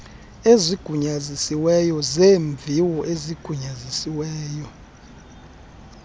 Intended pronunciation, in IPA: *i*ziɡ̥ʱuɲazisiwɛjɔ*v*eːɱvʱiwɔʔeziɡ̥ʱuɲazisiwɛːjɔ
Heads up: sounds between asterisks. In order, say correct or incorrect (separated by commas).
incorrect, incorrect